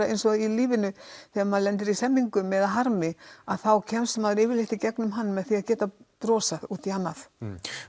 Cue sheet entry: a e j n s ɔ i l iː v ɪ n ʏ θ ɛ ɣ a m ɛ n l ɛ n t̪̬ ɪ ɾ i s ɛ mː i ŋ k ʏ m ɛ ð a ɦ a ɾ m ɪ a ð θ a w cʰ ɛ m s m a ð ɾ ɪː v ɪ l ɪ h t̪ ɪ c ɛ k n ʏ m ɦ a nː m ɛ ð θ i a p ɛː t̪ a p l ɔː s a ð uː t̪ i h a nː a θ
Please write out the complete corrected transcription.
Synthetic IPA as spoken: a e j n s ɔ i l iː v ɪ n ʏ θ ɛ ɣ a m a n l ɛ n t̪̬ ɪ ɾ i s ɛ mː i ŋ k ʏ m ɛ ð a ɦ a ɾ m ɪ a ð θ a w cʰ ɛ m s m a ð ɾ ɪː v ɪ l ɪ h t̪ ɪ c ɛ k n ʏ m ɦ a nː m ɛ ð θ i a c ɛː t̪ a p ɾ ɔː s a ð uː t̪ i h a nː a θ